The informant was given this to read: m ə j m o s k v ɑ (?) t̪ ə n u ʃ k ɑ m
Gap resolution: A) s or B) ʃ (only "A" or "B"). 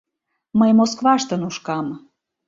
B